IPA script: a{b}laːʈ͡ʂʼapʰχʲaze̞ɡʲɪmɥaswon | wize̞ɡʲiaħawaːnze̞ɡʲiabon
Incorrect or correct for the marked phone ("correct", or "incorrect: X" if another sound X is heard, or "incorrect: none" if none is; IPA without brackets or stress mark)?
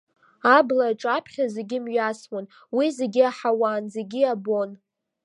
correct